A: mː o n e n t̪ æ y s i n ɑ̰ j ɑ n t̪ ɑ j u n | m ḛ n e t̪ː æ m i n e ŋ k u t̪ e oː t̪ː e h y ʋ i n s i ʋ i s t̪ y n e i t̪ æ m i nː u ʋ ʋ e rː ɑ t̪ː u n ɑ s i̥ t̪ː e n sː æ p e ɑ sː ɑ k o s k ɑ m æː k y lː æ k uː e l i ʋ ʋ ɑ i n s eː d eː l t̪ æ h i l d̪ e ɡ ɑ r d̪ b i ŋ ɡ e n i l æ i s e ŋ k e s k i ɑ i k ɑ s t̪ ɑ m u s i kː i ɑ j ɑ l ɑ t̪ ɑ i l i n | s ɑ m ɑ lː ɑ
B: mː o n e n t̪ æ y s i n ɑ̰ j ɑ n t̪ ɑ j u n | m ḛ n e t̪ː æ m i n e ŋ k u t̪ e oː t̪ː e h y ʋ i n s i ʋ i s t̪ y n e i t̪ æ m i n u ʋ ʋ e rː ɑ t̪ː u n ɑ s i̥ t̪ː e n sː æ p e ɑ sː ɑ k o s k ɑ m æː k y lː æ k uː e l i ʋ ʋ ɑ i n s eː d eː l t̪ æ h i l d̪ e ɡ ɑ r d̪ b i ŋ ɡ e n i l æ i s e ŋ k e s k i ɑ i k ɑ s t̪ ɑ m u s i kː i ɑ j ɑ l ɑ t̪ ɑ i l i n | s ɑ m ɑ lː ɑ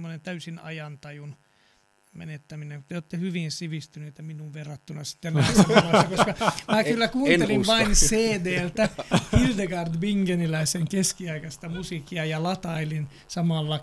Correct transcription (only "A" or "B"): B